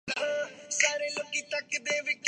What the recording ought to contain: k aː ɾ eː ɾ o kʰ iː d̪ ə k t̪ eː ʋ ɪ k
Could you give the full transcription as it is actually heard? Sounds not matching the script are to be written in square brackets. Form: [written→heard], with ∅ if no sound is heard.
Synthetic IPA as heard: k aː ɾ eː [ɾ→l] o [kʰ→k] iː [d̪→t̪] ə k [t̪→d̪] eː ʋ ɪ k